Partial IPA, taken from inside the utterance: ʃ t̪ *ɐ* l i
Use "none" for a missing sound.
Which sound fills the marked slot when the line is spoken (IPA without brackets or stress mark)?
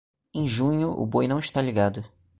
a